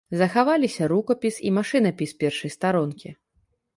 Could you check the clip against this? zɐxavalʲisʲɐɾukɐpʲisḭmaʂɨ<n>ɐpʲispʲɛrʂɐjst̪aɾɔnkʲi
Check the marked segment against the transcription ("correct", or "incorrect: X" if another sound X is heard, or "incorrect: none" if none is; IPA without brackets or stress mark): correct